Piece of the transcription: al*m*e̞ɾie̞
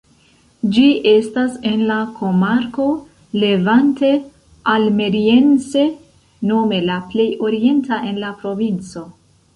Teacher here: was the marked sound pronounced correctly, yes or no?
yes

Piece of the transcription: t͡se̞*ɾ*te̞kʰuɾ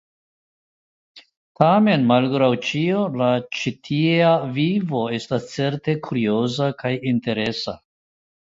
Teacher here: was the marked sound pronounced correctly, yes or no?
yes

